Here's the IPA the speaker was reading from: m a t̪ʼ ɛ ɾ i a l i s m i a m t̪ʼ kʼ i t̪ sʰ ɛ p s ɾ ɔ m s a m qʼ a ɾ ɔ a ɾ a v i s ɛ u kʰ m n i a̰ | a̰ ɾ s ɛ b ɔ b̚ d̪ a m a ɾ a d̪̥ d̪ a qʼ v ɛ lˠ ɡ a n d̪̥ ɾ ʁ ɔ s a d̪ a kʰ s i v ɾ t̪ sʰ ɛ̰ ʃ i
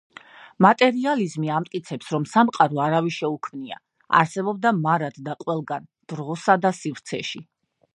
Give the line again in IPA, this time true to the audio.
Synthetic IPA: m a t̪ʼ ɛ ɾ i a l i z m i a m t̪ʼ kʼ i t̪ sʰ ɛ p s ɾ ɔ m s a m qʼ a ɾ ɔ a ɾ a v i ʃ ɛ u kʰ m n i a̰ | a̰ ɾ s ɛ b ɔ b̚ d̪ a m a ɾ a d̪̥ d̪ a qʼ w ɛ lˠ ɡ a n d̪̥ ɾ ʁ ɔ s a d̪ a s i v ɾ t̪ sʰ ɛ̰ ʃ i